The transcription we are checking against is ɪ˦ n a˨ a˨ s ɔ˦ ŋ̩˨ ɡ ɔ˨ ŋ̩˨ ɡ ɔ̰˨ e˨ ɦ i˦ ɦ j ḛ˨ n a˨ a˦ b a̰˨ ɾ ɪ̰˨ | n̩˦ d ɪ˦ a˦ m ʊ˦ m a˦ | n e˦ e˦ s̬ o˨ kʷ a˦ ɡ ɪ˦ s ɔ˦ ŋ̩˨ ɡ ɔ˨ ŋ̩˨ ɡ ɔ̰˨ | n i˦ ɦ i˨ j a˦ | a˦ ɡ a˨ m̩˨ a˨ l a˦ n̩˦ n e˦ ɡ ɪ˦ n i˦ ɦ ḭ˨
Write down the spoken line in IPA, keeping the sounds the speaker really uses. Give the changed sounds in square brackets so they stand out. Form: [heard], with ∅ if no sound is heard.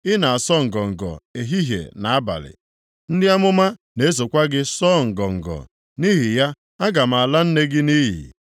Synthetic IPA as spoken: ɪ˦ n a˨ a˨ s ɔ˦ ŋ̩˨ ɡ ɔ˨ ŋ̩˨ ɡ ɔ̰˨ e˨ ɦ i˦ ɦ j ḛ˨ n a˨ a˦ b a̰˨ [l] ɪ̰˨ | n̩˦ d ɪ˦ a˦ m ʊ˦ m a˦ | n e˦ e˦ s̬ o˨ kʷ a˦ ɡ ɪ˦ s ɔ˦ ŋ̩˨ ɡ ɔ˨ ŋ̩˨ ɡ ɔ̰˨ | n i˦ ɦ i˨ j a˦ | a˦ ɡ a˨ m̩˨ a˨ l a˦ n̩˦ n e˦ ɡ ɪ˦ n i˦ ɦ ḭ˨